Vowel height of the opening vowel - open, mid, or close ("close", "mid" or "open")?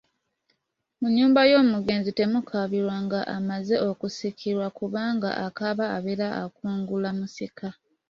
close